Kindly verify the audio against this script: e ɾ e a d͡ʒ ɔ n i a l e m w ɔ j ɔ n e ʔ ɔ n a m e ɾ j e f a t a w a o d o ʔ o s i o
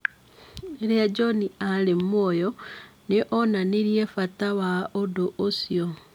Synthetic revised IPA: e ɾ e a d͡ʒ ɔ n i a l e m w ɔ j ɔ n e ʔ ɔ n a n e ɾ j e f a t a w a o d o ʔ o s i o